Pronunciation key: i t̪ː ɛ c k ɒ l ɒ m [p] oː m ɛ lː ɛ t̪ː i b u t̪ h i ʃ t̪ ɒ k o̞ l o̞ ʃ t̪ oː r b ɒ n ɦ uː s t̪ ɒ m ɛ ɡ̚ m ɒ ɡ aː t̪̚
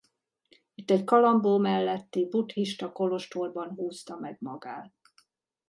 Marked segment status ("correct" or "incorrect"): incorrect